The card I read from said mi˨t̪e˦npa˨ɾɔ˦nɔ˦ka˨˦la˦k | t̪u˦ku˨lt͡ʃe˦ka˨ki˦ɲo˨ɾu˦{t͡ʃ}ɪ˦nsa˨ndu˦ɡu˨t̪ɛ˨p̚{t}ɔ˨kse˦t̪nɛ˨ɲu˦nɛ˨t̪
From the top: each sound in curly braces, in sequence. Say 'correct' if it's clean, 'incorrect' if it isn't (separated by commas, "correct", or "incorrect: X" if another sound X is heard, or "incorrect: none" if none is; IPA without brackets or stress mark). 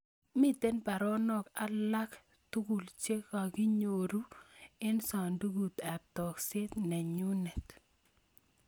incorrect: none, correct